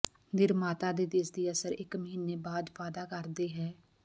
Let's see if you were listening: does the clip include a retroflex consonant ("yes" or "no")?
no